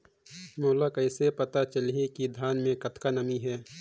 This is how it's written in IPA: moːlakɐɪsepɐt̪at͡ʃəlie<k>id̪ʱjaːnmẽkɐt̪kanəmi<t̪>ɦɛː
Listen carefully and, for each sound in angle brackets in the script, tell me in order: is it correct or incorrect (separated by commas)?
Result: correct, incorrect